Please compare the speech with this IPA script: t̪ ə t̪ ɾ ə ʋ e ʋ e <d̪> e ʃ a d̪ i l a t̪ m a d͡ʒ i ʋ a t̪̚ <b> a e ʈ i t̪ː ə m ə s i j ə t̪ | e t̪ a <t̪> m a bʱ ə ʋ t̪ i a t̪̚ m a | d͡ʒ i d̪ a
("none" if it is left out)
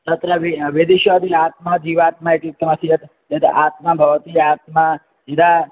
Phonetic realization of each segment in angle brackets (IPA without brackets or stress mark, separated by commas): d̪, m, t̪